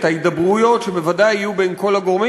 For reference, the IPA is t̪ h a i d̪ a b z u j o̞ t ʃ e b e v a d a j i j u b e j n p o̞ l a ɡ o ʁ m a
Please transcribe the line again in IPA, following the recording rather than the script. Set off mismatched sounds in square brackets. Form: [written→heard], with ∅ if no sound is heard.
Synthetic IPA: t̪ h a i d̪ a b [z→ʁ] u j o̞ t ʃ e b e v a d a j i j u b e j n [p→k] o̞ l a ɡ o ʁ m [a→i]